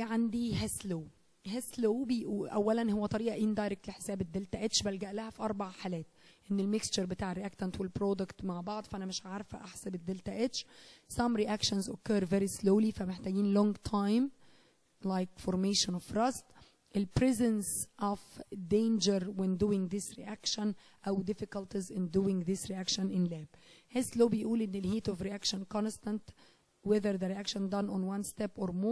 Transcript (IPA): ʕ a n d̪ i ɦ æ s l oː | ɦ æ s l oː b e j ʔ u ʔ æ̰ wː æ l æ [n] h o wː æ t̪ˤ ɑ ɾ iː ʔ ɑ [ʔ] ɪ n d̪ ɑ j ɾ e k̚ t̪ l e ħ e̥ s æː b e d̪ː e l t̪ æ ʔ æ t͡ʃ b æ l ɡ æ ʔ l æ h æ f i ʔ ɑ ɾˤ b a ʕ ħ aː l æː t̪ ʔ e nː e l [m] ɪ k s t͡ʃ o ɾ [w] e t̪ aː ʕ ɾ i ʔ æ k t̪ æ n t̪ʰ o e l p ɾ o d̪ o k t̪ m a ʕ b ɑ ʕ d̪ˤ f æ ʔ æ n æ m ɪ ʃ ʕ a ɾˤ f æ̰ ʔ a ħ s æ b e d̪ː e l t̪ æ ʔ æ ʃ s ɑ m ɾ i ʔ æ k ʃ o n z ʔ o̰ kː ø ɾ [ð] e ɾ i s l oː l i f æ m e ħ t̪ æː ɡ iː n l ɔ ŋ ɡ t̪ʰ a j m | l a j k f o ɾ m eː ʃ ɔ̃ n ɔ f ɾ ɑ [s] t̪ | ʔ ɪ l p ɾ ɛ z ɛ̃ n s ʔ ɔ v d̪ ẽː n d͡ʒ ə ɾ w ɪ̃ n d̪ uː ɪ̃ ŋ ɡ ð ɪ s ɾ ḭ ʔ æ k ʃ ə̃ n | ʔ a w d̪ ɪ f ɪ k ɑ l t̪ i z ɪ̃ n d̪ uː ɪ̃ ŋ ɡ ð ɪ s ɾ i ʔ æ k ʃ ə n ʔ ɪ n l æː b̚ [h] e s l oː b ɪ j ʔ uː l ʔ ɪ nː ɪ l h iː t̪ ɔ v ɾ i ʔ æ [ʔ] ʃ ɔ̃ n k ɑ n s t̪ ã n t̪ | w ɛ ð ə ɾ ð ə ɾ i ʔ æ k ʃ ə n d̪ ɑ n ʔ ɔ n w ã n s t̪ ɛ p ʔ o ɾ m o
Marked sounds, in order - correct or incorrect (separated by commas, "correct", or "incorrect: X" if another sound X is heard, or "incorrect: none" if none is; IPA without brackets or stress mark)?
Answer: correct, correct, correct, incorrect: b, incorrect: v, correct, correct, incorrect: k